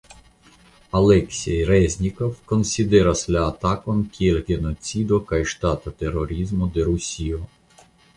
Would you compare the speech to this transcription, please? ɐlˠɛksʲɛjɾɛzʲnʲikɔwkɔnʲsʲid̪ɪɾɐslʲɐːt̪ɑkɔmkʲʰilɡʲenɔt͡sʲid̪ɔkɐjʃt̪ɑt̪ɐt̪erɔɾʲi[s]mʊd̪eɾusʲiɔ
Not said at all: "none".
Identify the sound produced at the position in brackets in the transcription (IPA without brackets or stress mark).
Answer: z